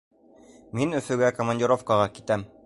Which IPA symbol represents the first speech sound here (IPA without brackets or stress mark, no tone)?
m